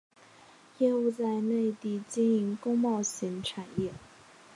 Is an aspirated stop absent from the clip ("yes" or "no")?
no